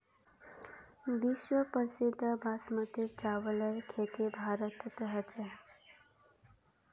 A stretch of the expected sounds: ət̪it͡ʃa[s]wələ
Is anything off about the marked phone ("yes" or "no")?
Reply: yes